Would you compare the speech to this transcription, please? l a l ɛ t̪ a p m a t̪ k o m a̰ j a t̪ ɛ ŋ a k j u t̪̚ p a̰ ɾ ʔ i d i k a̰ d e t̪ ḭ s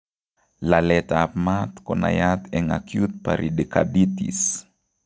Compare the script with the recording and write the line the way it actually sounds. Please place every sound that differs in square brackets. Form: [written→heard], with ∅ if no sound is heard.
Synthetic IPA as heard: l a l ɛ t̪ a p m a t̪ k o [m→n] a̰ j a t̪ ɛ ŋ a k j u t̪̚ p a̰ ɾ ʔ i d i k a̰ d [e→i] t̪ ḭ s

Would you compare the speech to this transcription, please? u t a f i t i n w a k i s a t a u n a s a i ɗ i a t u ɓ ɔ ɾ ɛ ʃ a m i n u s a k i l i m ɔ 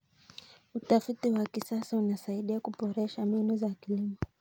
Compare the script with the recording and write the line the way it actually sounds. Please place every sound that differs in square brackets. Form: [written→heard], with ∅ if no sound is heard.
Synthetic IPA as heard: u t a f i t i [n→∅] w a k i s a [t→s] a u n a s a i ɗ i a [t→k] u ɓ ɔ ɾ ɛ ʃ a m i n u [s→z] a k i l i m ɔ

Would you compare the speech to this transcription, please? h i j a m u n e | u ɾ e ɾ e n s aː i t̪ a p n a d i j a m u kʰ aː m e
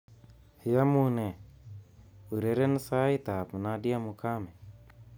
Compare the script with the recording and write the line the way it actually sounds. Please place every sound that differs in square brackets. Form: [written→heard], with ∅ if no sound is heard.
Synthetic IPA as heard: h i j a m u n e | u ɾ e ɾ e n s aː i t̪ a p n a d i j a m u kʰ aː m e

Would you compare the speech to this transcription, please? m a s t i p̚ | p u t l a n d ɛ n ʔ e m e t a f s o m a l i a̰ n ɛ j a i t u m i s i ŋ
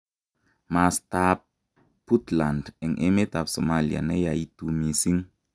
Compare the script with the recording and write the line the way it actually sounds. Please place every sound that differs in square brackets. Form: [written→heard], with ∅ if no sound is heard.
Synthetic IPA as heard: m a s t [i→a] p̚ | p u t l a n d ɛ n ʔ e m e t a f s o m a l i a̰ n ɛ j a i t u m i s i ŋ

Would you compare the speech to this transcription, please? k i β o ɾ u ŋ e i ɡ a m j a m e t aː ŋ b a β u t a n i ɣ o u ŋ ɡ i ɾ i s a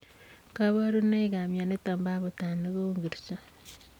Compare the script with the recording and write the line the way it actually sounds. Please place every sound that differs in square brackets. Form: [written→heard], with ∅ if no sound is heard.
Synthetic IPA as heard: k [i→a] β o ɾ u [ŋ→n] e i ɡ a m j a [m→n] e t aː [ŋ→m] b a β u t a n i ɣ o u ŋ ɡ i ɾ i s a

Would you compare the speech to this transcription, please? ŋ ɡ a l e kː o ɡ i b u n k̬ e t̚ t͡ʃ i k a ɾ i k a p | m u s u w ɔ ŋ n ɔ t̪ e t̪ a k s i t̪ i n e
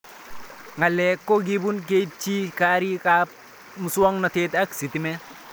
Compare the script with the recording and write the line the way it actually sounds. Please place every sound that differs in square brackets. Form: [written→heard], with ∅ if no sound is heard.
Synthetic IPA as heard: ŋ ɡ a l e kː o ɡ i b u n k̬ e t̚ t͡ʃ i k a ɾ i k a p | m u s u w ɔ ŋ n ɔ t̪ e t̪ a k s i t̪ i [n→m] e

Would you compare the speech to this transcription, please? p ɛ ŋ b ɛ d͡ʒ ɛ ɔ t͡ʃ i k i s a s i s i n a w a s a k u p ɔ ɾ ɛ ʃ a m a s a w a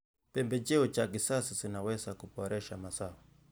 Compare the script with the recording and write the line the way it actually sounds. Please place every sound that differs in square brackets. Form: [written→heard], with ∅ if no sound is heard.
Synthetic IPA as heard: p ɛ [ŋ→m] b ɛ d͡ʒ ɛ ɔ t͡ʃ [i→a] k i s a s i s i n a w [a→ɛ] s a k u p ɔ ɾ ɛ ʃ a m a s a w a

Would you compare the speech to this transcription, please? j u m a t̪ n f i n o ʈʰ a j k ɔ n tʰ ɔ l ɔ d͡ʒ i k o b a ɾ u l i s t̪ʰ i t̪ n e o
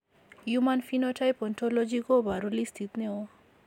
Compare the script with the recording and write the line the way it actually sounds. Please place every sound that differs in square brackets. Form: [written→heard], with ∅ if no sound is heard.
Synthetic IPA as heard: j u m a [t̪→∅] n f i n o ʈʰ a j [k→p] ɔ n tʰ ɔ l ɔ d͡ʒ i k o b a ɾ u l i s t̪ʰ i t̪ n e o

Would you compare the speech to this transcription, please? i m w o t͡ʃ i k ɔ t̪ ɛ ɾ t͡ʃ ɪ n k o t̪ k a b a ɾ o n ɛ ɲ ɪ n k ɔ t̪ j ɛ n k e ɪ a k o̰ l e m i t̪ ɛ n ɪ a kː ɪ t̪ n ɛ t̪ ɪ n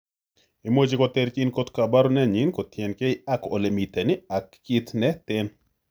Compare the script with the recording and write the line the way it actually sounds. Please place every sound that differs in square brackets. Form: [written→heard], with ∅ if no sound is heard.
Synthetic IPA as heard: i m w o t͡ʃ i k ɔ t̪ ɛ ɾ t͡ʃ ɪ n k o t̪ k a b a ɾ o n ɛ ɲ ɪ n k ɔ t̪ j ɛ n k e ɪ a k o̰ l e m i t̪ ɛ n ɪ a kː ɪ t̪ n ɛ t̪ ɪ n

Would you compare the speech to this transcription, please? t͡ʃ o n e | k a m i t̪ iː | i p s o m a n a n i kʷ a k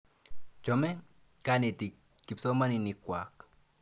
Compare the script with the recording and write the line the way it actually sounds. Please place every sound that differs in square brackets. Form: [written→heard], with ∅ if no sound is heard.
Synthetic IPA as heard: t͡ʃ o [n→m] e | k a [m→n] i t̪ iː | i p s o m a n [a→i] n i kʷ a k

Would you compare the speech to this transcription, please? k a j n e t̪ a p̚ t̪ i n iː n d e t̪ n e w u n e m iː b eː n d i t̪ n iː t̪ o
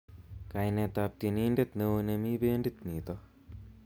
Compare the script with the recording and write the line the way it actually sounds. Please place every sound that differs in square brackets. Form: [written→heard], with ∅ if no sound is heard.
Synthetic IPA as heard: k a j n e t̪ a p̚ t̪ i n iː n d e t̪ n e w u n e m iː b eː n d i t̪ n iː t̪ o

